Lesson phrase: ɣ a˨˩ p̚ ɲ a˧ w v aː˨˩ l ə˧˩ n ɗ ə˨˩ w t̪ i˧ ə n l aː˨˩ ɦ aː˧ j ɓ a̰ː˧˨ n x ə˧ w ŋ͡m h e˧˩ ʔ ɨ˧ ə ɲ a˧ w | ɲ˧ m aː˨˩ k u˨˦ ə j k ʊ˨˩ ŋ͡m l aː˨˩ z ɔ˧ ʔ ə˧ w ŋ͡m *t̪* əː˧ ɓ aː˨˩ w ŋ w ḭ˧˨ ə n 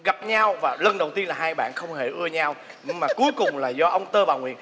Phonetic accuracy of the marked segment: correct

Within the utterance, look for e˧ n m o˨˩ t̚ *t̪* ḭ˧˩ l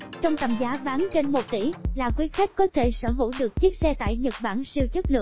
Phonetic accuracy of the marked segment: correct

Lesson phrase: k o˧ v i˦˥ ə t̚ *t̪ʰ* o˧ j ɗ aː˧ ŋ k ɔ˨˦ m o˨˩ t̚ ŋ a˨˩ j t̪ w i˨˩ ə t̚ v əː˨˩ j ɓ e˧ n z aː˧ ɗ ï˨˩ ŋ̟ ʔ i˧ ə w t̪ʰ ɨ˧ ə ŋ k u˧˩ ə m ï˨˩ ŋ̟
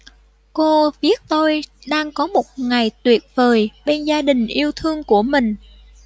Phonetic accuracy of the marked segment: incorrect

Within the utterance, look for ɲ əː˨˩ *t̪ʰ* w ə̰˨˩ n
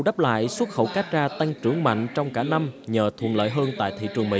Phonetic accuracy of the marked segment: correct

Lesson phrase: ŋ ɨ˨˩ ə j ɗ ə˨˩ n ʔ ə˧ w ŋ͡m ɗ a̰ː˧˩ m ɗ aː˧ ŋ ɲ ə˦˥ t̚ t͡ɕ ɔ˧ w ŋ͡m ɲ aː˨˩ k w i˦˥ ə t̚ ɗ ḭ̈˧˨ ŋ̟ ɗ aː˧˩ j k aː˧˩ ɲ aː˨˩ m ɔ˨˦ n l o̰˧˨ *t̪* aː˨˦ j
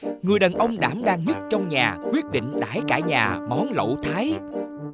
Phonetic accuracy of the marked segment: incorrect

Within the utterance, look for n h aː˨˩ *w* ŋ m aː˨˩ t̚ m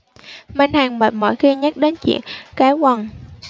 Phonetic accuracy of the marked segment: incorrect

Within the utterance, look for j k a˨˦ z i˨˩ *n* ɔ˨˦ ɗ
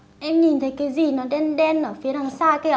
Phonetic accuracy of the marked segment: correct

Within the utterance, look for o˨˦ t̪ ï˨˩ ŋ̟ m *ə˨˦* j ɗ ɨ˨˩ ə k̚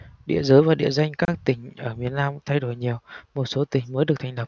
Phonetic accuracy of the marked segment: incorrect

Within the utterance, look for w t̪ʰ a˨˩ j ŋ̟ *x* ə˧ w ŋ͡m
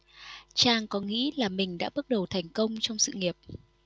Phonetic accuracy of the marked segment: incorrect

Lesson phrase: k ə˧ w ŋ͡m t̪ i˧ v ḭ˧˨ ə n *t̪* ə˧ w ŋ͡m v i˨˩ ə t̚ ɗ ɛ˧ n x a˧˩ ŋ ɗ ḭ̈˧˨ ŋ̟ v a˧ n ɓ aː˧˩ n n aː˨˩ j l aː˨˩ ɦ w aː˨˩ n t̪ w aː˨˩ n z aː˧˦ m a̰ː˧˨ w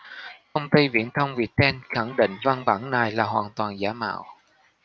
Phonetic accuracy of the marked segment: incorrect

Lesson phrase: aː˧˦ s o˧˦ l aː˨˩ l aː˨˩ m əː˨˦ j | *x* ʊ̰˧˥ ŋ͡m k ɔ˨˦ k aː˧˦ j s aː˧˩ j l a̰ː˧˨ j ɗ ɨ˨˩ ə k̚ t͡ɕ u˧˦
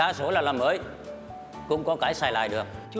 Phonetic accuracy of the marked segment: incorrect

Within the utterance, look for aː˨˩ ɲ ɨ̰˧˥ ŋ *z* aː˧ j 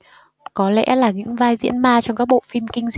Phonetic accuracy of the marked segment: incorrect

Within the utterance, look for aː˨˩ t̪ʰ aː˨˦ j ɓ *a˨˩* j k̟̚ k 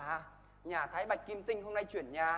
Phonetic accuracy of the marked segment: correct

